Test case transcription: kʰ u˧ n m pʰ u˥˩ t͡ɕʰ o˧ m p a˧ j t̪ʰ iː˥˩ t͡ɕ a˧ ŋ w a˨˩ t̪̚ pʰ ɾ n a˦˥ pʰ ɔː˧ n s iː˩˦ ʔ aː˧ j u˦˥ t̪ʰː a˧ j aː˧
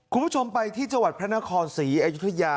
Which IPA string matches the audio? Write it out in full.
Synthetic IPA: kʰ u˧ n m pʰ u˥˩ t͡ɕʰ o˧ m p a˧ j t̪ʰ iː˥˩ t͡ɕ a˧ ŋ w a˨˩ t̪̚ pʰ ɾ n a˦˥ kʰ ɔː˧ n s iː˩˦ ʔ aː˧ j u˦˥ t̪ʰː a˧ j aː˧